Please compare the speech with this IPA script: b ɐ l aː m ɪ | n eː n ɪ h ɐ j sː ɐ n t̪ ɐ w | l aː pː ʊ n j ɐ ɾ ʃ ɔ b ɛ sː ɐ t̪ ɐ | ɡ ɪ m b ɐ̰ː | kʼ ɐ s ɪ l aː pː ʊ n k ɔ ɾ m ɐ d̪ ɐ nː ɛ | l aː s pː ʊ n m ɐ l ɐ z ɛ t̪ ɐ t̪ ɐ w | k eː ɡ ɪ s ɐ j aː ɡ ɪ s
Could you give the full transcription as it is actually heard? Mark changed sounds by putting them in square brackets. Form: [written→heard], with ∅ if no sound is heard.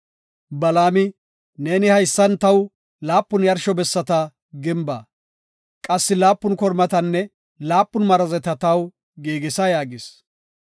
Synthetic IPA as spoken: b ɐ l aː m ɪ | n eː n ɪ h ɐ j sː ɐ n t̪ ɐ w | l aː pː ʊ n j ɐ ɾ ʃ ɔ b ɛ sː ɐ t̪ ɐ | ɡ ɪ m b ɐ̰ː | kʼ ɐ [s→sː] ɪ l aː pː ʊ n k ɔ ɾ m ɐ [d̪→t̪] ɐ nː ɛ | l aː [s→∅] pː ʊ n m ɐ [l→ɾ] ɐ z ɛ t̪ ɐ t̪ ɐ w | [k→ɡ] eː ɡ ɪ s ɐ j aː ɡ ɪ s

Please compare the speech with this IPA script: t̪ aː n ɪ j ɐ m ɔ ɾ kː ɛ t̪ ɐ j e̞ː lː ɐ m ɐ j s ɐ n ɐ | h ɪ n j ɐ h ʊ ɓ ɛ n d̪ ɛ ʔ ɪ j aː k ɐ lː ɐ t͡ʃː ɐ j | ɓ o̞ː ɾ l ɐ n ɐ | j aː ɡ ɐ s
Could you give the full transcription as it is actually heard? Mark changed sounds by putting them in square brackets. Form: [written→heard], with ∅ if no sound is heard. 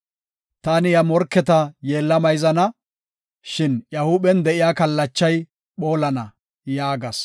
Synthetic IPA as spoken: t̪ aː n ɪ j ɐ m ɔ ɾ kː ɛ t̪ ɐ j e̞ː lː ɐ m ɐ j [s→z] ɐ n ɐ | [h→ʃ] ɪ n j ɐ h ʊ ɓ ɛ n d̪ ɛ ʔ ɪ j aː k ɐ lː ɐ t͡ʃː ɐ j | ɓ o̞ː [ɾ→∅] l ɐ n ɐ | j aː ɡ ɐ s

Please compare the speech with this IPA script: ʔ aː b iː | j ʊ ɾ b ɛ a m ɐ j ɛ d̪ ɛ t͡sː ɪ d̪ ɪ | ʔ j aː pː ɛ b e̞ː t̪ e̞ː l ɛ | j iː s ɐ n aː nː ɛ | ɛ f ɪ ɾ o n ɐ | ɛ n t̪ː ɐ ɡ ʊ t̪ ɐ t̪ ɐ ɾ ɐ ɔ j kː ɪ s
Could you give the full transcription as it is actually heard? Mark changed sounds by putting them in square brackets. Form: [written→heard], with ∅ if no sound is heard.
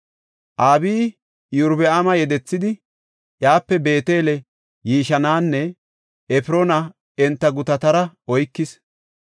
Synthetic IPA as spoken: ʔ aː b iː | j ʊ ɾ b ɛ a m ɐ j ɛ d̪ ɛ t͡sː ɪ d̪ ɪ | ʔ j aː pː ɛ b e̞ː t̪ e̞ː l ɛ | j iː [s→ʃ] ɐ n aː nː ɛ | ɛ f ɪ ɾ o n ɐ | ɛ n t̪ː ɐ ɡ ʊ t̪ ɐ t̪ ɐ ɾ ɐ ɔ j kː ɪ s

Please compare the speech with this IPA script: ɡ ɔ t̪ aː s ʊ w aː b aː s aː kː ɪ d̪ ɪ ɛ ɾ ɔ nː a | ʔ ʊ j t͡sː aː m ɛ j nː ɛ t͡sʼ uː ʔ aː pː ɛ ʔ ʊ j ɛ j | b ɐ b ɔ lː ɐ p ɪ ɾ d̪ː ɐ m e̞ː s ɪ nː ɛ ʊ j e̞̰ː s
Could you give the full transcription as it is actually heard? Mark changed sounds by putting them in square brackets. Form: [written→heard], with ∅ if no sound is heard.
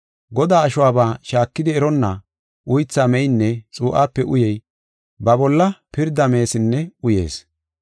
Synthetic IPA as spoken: ɡ ɔ [t̪→d̪] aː [s→ʃ] ʊ w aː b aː [s→ʃ] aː kː ɪ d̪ ɪ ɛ ɾ ɔ nː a | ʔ ʊ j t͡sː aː m ɛ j nː ɛ t͡sʼ uː ʔ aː pː ɛ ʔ ʊ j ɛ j | b ɐ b ɔ lː ɐ p ɪ ɾ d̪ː ɐ m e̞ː s ɪ nː ɛ ʊ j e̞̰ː s

